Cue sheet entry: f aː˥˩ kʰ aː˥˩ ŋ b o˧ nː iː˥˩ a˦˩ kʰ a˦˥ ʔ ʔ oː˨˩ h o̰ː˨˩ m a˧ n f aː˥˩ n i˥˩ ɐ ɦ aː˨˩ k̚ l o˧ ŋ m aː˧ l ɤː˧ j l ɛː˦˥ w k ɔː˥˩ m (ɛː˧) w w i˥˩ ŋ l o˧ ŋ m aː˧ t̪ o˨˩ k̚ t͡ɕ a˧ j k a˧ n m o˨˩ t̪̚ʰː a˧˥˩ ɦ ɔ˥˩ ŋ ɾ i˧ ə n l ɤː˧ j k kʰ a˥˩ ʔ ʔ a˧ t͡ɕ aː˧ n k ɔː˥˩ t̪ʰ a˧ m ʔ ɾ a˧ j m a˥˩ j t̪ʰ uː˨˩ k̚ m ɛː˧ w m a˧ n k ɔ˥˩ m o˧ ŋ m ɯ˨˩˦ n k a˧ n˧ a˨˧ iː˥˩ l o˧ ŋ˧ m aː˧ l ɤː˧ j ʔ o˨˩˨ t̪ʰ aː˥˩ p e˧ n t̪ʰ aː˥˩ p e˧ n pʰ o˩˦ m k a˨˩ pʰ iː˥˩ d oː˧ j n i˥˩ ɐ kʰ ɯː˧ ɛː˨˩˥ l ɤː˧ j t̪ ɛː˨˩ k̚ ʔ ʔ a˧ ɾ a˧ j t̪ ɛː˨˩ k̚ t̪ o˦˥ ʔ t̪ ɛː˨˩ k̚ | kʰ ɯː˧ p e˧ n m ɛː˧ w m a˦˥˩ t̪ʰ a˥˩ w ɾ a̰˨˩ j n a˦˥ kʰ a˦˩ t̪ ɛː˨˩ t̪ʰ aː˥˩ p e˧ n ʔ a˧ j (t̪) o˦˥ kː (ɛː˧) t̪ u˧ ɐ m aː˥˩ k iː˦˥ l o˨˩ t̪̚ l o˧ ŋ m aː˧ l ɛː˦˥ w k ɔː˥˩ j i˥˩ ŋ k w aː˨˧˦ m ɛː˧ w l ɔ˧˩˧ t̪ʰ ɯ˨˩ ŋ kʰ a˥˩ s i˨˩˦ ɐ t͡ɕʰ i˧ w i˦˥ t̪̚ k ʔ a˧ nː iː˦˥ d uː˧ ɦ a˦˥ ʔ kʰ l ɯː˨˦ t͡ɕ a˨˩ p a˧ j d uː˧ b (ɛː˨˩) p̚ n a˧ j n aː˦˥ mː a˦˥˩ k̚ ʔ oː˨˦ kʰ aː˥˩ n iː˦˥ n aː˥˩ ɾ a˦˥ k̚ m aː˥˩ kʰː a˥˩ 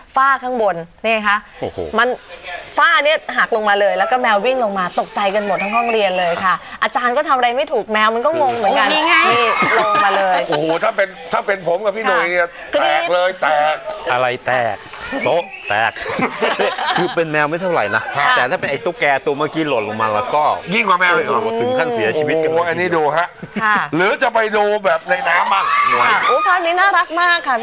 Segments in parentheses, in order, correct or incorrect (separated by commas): correct, correct, correct, correct